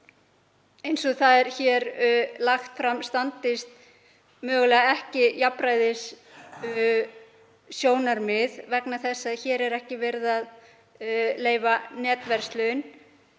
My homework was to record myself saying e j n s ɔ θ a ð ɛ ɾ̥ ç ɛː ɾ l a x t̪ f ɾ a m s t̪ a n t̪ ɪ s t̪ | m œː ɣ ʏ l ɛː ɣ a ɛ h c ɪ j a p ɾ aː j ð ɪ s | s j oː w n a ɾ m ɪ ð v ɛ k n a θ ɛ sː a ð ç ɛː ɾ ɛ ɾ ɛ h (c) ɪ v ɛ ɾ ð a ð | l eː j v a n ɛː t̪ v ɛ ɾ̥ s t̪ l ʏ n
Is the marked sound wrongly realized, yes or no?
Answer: no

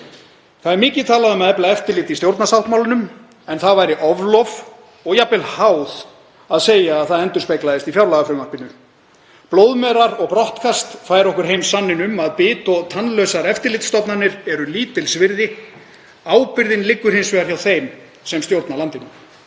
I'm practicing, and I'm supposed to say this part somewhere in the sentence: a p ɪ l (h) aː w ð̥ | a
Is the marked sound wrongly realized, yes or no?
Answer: no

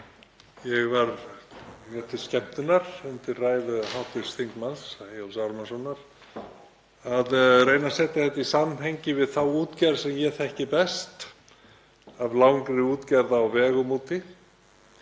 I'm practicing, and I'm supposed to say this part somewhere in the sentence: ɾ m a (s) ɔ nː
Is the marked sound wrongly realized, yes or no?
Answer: no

